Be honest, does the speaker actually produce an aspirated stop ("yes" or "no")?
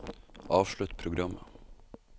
yes